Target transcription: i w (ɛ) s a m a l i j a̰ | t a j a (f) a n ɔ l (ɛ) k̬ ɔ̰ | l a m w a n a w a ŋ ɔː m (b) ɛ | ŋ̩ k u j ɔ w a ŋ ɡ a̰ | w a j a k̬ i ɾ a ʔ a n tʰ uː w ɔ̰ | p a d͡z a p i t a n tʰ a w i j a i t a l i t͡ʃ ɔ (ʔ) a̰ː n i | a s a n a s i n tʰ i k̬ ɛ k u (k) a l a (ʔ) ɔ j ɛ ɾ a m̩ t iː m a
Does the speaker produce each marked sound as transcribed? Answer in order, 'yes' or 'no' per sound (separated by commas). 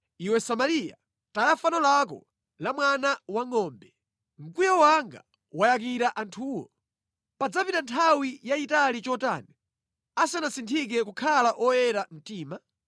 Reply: yes, yes, no, yes, no, no, yes